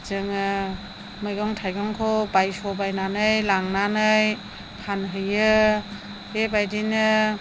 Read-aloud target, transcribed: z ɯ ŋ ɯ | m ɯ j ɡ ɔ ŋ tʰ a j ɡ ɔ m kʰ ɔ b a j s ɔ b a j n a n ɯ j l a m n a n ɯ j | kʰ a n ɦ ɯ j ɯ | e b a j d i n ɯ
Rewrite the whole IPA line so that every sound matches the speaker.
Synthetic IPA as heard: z ɯ ŋ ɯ | m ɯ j ɡ ɔ ŋ tʰ a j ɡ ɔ ŋ kʰ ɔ b a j s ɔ b a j n a n ɯ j l a ŋ n a n ɯ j | pʰ a n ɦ ɯ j ɯ | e b a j d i n ɯ